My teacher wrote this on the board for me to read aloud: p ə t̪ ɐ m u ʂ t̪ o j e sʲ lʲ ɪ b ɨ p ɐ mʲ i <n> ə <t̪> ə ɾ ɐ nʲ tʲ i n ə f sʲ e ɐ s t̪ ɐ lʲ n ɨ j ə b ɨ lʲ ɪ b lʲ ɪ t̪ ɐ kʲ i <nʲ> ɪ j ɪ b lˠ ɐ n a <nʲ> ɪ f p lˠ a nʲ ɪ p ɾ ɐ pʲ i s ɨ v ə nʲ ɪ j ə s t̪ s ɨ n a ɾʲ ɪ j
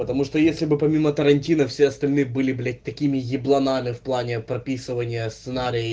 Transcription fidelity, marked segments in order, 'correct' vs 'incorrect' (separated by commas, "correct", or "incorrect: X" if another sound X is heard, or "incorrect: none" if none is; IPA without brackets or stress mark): incorrect: m, correct, incorrect: mʲ, incorrect: mʲ